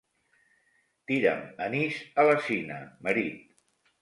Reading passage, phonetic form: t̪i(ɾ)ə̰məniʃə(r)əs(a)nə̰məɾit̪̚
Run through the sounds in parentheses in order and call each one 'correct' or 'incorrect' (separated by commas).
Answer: correct, incorrect, incorrect